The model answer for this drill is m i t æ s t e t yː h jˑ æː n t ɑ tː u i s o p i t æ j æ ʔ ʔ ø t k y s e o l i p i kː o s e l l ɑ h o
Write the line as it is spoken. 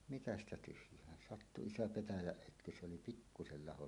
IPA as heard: m i t æ s t æ t y h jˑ æː n s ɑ tː u i s o p e t æ j æ ʔ ʔ ø t k y s e o l i p i kː u s e l l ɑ h o